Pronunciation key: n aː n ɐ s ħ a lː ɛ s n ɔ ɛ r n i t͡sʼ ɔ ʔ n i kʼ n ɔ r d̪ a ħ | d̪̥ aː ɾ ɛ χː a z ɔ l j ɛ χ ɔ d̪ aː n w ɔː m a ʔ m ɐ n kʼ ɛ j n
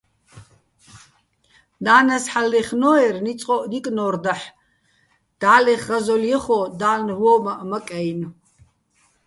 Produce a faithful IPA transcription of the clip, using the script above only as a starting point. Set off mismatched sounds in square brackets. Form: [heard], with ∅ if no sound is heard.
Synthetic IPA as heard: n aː n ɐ s ħ a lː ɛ [χ] n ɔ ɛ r n i t͡sʼ ɔ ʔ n i kʼ n ɔ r d̪ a ħ | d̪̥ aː [l] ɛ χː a z ɔ l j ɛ χ ɔ d̪ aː n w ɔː m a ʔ m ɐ [∅] kʼ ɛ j n